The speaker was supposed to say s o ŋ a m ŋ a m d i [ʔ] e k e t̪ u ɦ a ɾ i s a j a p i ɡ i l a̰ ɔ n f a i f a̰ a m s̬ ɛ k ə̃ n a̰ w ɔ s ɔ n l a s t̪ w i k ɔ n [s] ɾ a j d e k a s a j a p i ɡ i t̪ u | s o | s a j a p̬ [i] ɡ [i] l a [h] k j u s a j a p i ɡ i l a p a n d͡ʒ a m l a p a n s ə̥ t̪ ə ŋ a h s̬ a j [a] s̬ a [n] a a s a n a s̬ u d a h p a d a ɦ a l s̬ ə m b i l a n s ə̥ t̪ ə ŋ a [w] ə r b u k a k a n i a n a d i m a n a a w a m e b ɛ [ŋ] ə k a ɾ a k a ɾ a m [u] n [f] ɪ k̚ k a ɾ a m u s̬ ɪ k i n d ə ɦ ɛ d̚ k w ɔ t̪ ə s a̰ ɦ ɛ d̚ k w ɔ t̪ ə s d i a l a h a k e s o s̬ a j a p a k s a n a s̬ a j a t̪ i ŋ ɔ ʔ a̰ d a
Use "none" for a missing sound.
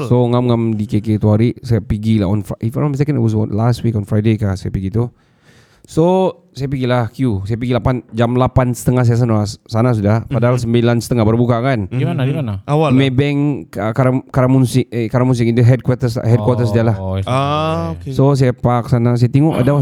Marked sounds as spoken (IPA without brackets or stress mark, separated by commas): k, f, i, i, h, a, n, b, ŋ, u, s